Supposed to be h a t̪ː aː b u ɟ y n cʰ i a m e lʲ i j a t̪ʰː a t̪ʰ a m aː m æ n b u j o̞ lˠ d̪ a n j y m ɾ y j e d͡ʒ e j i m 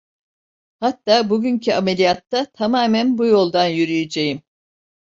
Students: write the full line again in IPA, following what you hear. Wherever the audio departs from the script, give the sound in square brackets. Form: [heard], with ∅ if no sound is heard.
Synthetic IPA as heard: h a t̪ː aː b u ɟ y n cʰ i a m e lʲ i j a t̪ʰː a t̪ʰ a m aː m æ n b u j o̞ lˠ d̪ a n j y [∅] ɾ y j e d͡ʒ e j i m